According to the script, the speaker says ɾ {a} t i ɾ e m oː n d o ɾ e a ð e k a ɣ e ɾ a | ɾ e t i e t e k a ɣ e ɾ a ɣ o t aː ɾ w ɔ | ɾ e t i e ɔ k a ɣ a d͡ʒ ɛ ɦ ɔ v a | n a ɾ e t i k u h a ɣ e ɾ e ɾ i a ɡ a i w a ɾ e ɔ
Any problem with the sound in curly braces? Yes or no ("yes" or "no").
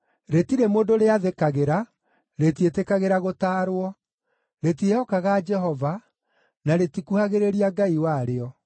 yes